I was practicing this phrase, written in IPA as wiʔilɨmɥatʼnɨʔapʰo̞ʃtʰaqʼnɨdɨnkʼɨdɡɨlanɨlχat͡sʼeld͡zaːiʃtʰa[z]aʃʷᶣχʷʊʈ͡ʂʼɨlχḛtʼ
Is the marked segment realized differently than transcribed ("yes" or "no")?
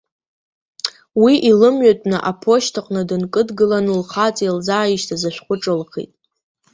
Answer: no